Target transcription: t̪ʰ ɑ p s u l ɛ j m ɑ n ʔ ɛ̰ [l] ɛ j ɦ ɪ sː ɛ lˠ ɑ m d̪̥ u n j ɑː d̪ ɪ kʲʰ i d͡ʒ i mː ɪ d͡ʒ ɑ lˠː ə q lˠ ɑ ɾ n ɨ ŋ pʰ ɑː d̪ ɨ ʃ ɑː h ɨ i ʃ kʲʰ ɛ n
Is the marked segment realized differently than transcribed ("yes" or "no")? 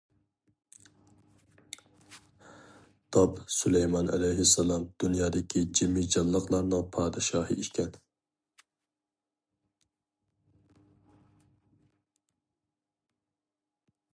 no